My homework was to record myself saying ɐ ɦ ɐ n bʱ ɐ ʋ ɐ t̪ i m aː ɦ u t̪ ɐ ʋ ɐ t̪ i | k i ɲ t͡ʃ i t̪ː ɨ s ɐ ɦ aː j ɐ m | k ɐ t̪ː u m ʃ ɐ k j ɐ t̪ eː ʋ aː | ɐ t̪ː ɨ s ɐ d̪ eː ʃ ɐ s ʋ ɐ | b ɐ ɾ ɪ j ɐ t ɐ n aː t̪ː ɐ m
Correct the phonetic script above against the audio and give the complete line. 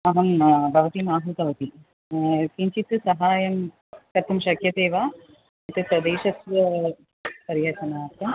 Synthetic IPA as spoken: ɐ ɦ ɐ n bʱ ɐ ʋ ɐ t̪ i m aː ɦ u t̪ ɐ ʋ ɐ t̪ i | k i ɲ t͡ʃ i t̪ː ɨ s ɐ ɦ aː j ɐ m | k ɐ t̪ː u m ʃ ɐ k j ɐ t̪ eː ʋ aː | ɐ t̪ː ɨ s ɐ d̪ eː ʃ ɐ s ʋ ɐ | p ɐ ɾ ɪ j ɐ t ɐ n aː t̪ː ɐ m